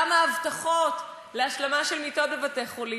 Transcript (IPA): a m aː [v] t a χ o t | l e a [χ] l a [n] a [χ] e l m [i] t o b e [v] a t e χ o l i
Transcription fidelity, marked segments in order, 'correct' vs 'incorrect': correct, incorrect: ʃ, incorrect: m, incorrect: ʃ, correct, correct

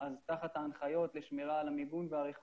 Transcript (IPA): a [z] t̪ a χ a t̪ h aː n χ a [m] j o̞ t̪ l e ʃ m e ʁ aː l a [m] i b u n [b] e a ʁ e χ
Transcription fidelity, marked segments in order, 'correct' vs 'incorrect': correct, incorrect: none, correct, incorrect: v

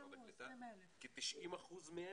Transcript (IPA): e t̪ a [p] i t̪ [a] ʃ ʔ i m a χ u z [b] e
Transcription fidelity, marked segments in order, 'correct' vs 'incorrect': incorrect: k, incorrect: i, incorrect: m

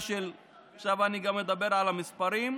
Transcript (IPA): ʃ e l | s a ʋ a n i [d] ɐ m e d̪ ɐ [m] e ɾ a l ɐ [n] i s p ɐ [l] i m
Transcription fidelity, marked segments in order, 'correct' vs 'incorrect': incorrect: ɡ, incorrect: b, incorrect: m, incorrect: ɾ

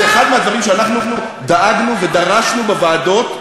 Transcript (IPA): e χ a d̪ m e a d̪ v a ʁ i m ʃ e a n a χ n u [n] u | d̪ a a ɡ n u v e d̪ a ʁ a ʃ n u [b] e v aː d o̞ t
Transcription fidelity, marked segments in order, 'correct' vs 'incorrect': correct, correct

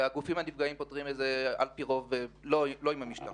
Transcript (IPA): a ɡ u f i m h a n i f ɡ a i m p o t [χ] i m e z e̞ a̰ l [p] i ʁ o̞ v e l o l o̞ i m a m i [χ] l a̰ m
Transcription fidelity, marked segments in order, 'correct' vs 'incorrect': incorrect: ʁ, correct, incorrect: ʃ

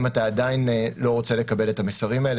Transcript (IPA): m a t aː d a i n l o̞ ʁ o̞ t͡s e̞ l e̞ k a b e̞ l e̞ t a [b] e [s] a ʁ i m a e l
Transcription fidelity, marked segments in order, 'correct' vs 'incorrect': incorrect: m, correct

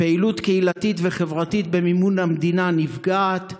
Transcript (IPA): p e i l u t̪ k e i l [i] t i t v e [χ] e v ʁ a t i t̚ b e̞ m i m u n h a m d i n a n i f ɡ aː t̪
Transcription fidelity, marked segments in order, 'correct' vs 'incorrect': incorrect: a, correct

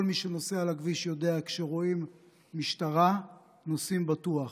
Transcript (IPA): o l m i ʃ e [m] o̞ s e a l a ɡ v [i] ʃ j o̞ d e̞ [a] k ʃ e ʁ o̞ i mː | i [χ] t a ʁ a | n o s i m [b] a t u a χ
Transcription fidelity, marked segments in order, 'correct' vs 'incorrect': incorrect: n, correct, correct, incorrect: ʃ, correct

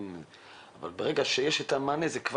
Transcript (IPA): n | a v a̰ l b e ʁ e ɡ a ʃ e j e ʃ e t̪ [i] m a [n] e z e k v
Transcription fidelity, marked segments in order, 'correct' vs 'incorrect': incorrect: a, correct

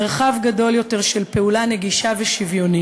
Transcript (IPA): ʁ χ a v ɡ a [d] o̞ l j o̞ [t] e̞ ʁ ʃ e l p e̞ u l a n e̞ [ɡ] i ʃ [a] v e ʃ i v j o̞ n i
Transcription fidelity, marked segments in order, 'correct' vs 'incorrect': correct, correct, correct, correct

